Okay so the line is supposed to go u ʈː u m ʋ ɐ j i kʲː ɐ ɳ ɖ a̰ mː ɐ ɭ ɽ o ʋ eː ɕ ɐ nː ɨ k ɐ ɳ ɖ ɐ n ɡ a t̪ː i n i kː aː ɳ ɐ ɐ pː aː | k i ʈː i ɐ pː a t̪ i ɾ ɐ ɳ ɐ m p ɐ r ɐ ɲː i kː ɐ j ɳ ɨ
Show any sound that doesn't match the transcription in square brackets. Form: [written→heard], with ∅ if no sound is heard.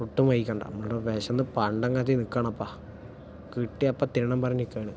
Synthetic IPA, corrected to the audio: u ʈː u m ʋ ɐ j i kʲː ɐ ɳ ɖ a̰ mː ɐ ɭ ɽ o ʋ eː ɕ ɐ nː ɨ [k→p] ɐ ɳ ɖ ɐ [n→ŋ] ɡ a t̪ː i n i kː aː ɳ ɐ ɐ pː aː | k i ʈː i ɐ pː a t̪ i ɾ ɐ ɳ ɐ m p ɐ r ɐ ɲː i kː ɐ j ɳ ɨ

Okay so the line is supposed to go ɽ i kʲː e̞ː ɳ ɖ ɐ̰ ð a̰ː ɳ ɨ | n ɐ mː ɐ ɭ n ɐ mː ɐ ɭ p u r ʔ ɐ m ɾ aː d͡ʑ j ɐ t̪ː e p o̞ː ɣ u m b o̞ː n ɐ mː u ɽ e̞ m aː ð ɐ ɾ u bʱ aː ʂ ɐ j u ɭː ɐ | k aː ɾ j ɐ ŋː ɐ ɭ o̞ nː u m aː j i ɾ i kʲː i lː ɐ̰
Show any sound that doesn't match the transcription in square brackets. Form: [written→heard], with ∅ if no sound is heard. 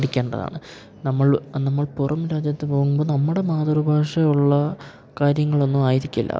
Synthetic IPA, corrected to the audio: ɽ i kʲː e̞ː ɳ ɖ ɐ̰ ð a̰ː ɳ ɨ | n ɐ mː ɐ ɭ n ɐ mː ɐ ɭ p u r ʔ ɐ m ɾ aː d͡ʑ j ɐ t̪ː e p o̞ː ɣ u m b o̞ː n ɐ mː u ɽ e̞ m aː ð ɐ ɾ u bʱ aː ʂ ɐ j u ɭː ɐ | k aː ɾ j ɐ ŋː ɐ ɭ o̞ nː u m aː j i ɾ i kʲː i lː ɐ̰

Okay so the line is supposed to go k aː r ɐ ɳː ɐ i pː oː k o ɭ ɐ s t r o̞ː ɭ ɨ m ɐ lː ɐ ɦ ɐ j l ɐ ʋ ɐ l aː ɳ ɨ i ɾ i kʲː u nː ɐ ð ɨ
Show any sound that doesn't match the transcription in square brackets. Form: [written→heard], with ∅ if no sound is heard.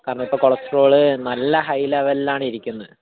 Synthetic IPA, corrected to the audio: k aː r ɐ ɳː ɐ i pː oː k o ɭ ɐ s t r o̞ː ɭ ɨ [m→n] ɐ lː ɐ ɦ ɐ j l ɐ ʋ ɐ l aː ɳ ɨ i ɾ i kʲː u nː ɐ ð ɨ

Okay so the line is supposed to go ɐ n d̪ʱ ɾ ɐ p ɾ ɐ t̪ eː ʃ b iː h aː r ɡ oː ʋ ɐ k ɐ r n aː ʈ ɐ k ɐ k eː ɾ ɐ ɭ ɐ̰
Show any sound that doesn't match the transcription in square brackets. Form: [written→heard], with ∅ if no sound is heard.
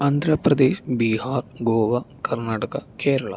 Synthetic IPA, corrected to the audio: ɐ n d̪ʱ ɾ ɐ p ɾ ɐ [t̪→d̪] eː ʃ b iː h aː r ɡ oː ʋ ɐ k ɐ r n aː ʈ ɐ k ɐ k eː ɾ ɐ ɭ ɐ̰

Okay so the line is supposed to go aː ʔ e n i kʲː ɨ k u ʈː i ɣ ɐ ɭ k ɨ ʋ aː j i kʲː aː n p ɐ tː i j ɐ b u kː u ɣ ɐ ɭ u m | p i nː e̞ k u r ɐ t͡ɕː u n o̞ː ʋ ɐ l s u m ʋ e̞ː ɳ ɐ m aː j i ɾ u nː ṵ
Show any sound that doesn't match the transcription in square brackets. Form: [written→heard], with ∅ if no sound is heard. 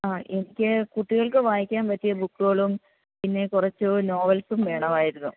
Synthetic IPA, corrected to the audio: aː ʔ e n i kʲː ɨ k u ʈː i ɣ ɐ ɭ k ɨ ʋ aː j i kʲː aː n p ɐ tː i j ɐ b u kː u ɣ ɐ ɭ u m | p i nː e̞ k u r ɐ t͡ɕː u n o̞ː ʋ ɐ l s u m ʋ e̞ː ɳ ɐ m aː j i ɾ u nː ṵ

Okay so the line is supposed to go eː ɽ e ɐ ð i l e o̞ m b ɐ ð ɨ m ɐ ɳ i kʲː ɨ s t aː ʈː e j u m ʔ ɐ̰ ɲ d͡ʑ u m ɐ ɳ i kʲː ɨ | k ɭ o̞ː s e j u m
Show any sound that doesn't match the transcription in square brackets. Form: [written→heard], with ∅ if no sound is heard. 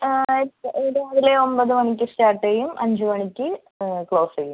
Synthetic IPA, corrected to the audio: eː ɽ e ɐ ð i l e o̞ m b ɐ ð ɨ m ɐ ɳ i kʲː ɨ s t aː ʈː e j u m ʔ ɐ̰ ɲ d͡ʑ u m ɐ ɳ i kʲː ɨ | k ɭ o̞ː s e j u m

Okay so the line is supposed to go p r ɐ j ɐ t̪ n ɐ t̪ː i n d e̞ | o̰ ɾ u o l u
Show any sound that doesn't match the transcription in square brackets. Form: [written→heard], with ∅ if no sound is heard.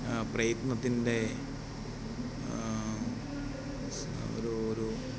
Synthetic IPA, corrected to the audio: p r ɐ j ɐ t̪ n ɐ t̪ː i n d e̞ | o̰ ɾ u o [l→ɾ] u

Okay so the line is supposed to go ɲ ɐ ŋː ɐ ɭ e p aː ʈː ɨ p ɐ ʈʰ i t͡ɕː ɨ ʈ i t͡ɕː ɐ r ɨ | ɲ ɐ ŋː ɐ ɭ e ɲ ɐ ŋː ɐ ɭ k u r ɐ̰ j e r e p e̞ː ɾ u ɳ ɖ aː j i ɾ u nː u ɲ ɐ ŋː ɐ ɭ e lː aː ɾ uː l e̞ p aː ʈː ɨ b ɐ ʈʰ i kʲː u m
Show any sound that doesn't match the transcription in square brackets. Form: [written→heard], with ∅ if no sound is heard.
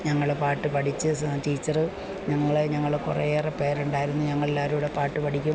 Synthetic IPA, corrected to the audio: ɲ ɐ ŋː ɐ ɭ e p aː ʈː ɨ p ɐ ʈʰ i t͡ɕː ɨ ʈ [i→iː] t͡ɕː ɐ r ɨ | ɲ ɐ ŋː ɐ ɭ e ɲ ɐ ŋː ɐ ɭ k u r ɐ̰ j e r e p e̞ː ɾ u ɳ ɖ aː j i ɾ u nː u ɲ ɐ ŋː ɐ ɭ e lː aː ɾ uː [l→ɽ] e̞ p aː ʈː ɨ [b→p] ɐ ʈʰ i kʲː u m

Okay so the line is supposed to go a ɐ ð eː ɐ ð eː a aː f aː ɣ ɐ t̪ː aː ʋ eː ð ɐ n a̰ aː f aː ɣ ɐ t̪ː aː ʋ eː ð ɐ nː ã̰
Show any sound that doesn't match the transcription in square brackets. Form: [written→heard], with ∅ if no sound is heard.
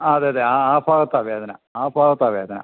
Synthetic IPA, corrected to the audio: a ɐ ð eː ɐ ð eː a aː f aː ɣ ɐ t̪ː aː ʋ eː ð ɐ n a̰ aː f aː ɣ ɐ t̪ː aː ʋ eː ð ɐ [nː→n] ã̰

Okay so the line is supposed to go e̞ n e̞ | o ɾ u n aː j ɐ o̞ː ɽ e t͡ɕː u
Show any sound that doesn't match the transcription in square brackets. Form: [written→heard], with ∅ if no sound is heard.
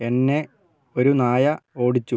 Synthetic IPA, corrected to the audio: e̞ [n→nː] e̞ | o ɾ u n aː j ɐ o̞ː ɽ [e→i] t͡ɕː u

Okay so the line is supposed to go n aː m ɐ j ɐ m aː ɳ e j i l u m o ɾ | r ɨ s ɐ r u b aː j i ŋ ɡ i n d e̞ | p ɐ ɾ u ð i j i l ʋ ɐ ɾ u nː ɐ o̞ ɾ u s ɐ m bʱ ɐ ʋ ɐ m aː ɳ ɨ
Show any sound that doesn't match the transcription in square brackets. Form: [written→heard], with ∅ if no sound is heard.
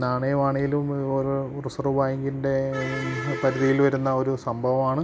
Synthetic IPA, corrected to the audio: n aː [m→ɳ] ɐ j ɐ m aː ɳ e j i l u m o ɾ | r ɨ s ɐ r u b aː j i ŋ ɡ i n d e̞ | p ɐ ɾ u ð i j i l ʋ ɐ ɾ u nː ɐ o̞ ɾ u s ɐ m bʱ ɐ ʋ ɐ m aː ɳ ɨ

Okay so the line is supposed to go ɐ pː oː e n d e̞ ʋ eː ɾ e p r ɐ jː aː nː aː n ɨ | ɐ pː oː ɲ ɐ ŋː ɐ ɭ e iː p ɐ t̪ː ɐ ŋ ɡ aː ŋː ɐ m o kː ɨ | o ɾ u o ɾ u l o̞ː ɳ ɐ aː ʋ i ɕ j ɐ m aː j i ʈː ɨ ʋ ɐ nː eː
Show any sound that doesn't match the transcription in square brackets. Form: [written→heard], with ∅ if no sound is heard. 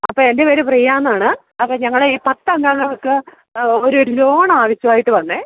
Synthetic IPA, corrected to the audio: ɐ pː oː e n d e̞ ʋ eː ɾ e p r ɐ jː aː nː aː [n→ɳ] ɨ | ɐ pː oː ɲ ɐ ŋː ɐ ɭ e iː p ɐ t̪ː ɐ ŋ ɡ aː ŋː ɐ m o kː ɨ | o ɾ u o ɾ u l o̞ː ɳ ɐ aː ʋ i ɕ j ɐ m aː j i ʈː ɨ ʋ ɐ nː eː

